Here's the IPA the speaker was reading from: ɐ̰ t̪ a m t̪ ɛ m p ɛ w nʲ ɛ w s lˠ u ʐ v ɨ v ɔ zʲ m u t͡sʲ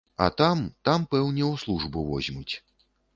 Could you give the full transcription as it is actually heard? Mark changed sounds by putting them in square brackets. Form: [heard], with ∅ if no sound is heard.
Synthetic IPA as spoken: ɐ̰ t̪ a m t̪ [a] m p ɛ w nʲ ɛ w s lˠ u ʐ [b] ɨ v ɔ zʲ m u t͡sʲ